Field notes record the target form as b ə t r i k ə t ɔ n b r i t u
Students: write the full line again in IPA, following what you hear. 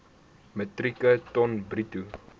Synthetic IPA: m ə t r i k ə t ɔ n b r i t u